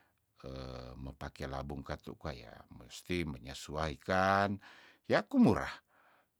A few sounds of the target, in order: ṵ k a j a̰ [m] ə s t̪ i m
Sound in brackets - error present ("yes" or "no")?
no